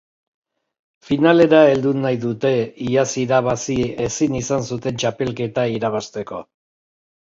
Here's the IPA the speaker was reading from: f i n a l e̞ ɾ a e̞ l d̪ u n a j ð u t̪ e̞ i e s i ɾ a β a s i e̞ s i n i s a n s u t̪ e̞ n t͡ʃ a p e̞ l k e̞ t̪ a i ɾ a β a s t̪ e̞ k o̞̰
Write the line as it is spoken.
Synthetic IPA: f i n a l e̞ ɾ a e̞ l d̪ u n a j ð u t̪ e̞ i a s i ɾ a β a s i e̞ s i n i s a n s u t̪ e̞ n t͡ʃ a p e̞ l k e̞ t̪ a i ɾ a β a s t̪ e̞ k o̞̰